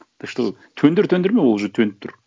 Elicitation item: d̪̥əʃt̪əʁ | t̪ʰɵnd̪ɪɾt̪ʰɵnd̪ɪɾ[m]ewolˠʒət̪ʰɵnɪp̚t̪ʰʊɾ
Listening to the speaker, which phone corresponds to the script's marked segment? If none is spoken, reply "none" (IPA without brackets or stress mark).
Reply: m